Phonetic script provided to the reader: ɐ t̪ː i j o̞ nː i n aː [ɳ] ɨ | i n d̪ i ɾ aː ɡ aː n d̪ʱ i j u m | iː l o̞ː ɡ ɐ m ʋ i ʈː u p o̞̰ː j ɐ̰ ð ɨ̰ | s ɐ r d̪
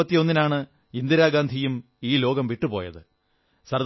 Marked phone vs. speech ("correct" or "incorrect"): correct